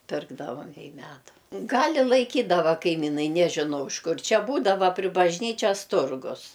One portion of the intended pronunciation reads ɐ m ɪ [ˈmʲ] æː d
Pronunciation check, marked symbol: correct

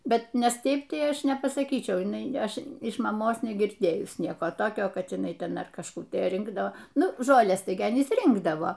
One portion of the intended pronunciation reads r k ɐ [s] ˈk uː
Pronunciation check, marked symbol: incorrect: ʃ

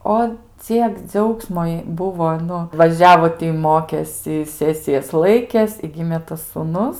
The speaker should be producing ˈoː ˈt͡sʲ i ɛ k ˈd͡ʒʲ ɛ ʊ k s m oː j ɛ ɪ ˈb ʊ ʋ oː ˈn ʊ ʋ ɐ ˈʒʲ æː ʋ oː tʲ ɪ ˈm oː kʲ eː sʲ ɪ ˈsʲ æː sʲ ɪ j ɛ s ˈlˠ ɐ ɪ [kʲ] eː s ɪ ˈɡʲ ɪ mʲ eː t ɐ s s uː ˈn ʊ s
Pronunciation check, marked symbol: correct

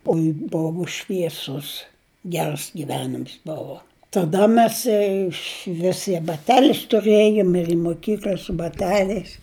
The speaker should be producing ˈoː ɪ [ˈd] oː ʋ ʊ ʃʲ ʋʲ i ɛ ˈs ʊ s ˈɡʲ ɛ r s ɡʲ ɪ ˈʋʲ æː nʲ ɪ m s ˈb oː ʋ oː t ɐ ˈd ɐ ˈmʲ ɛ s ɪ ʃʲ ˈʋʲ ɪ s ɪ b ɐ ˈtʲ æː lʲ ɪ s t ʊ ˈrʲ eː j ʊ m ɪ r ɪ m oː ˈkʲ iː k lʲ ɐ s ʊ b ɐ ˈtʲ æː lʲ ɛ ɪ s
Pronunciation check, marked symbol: incorrect: b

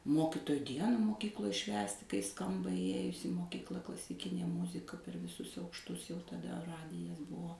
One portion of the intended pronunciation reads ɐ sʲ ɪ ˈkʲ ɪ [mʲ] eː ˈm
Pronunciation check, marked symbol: incorrect: nʲ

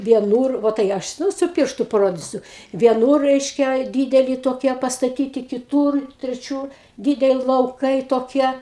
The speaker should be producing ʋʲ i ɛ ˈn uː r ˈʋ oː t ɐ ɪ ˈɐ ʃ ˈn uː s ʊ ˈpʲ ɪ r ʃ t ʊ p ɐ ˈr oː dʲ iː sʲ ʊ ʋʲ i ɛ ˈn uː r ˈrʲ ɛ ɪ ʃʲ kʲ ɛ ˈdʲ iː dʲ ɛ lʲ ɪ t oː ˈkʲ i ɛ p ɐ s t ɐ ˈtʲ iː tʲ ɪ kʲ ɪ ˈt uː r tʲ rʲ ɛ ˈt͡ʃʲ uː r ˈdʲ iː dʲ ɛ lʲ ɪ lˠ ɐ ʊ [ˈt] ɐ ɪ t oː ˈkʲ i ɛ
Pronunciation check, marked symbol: incorrect: k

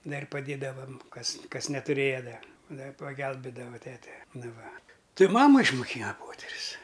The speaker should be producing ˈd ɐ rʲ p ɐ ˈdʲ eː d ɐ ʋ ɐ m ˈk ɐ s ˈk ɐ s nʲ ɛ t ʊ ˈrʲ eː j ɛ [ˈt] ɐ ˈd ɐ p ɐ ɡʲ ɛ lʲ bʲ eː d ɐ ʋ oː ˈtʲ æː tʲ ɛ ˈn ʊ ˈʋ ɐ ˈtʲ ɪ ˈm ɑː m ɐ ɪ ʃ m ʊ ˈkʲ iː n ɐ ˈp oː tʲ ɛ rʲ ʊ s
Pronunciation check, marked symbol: incorrect: d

